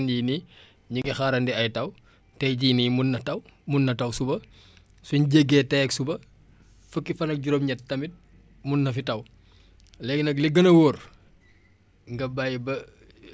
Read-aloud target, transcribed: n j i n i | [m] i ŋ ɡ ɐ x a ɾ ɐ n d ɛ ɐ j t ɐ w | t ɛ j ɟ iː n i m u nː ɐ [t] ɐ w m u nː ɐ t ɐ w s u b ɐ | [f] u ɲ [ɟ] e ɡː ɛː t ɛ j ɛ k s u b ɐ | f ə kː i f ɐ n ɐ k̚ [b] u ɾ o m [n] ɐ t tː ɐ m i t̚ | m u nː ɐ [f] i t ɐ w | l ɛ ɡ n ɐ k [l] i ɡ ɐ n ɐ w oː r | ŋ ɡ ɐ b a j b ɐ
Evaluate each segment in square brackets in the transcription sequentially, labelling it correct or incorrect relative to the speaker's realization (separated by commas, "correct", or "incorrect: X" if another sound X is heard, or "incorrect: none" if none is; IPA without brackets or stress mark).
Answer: incorrect: ɲ, correct, incorrect: s, correct, incorrect: ɟ, incorrect: ɲ, correct, correct